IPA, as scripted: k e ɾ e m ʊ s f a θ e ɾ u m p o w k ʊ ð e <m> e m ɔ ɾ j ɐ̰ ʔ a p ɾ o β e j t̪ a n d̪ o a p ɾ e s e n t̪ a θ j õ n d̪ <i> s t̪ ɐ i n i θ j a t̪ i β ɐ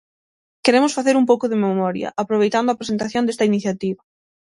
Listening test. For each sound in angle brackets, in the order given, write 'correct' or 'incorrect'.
correct, incorrect: e

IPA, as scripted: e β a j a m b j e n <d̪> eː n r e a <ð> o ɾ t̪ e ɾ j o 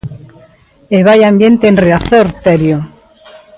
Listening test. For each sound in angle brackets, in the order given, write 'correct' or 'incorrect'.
incorrect: t̪, incorrect: θ

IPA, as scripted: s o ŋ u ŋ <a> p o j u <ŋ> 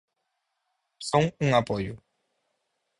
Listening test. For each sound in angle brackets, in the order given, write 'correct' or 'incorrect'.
correct, incorrect: none

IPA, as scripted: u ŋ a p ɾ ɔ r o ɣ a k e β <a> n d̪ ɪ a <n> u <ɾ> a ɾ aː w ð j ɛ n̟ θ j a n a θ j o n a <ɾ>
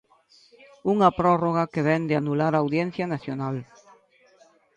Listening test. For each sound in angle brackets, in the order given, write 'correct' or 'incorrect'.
incorrect: ɛ, correct, incorrect: l, incorrect: l

